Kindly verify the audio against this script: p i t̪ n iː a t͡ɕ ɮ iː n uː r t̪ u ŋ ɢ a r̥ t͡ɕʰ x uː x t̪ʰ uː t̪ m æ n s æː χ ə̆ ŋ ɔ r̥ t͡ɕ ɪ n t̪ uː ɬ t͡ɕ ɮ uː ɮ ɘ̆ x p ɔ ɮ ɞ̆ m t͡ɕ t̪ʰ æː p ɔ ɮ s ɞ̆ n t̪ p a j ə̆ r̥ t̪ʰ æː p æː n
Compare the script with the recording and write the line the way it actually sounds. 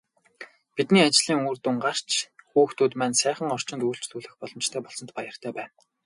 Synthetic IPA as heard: p i t̪ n iː a t͡ɕ ɮ iː ŋ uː r t̪ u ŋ ɢ a r̥ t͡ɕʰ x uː x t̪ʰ uː t̪ m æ n s æː χ ə̆ ŋ ɔ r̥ t͡ɕ ɪ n t̪ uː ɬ t͡ɕ ɮ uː ɮ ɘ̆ x p ɔ ɮ ɞ̆ m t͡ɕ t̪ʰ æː p ɔ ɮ s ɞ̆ n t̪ p a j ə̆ r̥ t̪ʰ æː p æː n